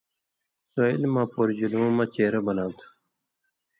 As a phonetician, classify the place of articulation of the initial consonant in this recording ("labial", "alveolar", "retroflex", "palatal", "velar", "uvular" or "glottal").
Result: alveolar